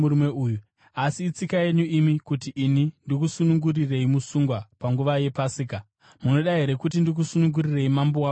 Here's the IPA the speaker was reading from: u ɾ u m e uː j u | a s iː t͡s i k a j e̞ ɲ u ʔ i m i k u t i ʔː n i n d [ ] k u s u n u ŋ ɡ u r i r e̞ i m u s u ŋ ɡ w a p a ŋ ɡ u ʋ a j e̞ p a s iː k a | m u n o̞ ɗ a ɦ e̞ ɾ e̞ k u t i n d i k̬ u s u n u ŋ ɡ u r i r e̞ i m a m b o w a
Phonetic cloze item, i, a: i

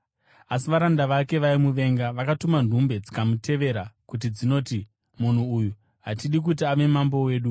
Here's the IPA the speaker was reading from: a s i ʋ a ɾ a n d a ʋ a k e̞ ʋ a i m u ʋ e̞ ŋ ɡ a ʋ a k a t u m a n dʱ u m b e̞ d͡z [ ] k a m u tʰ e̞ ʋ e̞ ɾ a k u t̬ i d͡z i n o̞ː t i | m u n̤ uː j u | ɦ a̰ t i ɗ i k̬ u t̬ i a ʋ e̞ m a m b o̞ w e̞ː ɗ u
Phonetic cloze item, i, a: i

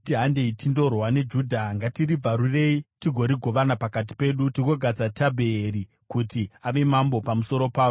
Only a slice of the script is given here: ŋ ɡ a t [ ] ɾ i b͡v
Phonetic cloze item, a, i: i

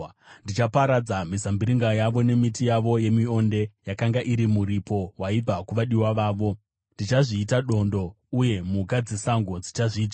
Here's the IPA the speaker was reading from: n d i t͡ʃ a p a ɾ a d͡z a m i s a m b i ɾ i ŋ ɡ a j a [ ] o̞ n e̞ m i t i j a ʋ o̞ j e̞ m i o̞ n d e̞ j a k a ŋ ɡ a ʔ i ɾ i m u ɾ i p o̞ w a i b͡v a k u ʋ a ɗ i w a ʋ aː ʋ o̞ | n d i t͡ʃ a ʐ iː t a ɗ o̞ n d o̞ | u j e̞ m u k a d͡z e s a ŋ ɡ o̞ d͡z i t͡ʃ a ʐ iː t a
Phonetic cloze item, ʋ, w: ʋ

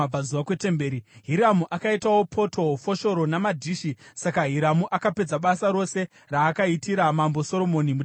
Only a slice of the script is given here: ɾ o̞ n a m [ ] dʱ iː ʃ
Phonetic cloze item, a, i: a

